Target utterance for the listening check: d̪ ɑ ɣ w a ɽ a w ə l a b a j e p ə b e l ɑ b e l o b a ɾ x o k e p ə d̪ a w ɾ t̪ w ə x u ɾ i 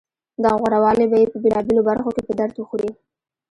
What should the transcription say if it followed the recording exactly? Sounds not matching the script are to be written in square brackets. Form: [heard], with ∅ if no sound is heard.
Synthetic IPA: d̪ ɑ ɣ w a [ɾ] a w [ɑ] l [e] b a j e p ə b e l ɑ b e l o b a ɾ x o k e p ə d̪ a [∅] ɾ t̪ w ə x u ɾ i